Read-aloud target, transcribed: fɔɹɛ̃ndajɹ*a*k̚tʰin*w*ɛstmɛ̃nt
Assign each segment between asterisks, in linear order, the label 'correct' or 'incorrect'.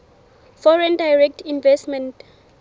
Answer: incorrect: ɛ, incorrect: v

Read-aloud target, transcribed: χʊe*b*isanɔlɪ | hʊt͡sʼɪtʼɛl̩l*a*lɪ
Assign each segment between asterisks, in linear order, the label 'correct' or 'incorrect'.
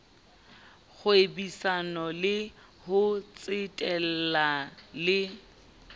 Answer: correct, correct

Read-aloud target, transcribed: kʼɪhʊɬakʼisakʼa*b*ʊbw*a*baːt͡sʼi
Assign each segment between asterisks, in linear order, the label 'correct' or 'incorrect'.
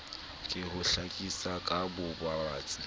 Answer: correct, correct

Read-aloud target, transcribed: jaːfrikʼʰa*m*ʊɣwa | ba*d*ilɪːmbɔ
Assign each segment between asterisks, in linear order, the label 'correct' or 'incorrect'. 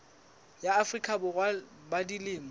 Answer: incorrect: b, correct

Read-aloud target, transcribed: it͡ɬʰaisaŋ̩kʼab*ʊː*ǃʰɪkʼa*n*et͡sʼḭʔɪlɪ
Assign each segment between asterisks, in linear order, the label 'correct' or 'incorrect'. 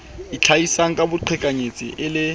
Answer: incorrect: ʊ, incorrect: ɲ

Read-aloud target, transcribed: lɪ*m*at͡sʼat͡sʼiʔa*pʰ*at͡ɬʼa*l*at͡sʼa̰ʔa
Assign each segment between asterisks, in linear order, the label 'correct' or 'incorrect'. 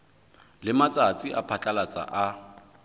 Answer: correct, correct, correct

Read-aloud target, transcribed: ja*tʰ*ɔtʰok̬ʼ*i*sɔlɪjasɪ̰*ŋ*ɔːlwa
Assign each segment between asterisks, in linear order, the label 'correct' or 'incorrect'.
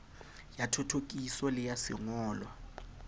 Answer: correct, correct, correct

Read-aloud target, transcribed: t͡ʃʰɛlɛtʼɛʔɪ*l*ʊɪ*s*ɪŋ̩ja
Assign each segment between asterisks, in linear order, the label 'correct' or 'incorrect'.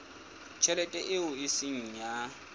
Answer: incorrect: none, correct

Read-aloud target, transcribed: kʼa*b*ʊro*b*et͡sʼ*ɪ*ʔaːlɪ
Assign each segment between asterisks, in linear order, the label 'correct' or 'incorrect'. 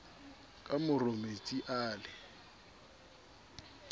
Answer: incorrect: m, incorrect: m, incorrect: i

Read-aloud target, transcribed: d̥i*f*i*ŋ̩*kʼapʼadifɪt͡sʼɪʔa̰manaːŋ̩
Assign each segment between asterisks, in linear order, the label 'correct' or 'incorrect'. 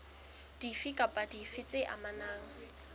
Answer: correct, incorrect: none

